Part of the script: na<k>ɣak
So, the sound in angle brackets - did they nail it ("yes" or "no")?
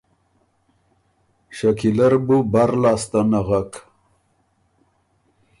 no